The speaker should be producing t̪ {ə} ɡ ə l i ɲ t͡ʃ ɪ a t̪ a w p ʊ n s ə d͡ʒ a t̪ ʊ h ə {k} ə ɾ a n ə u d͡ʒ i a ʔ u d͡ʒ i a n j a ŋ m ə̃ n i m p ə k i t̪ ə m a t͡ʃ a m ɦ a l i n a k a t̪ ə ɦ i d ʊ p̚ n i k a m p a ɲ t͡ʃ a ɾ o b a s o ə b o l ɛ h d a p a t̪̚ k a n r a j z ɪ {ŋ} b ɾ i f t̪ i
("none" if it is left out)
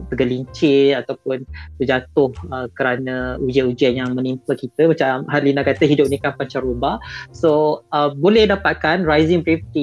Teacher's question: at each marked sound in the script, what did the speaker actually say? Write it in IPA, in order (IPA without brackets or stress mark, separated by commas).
ə, k, ŋ